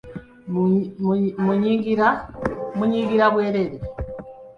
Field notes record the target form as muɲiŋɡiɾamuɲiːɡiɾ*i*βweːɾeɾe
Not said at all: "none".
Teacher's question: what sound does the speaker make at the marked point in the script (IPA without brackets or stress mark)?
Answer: a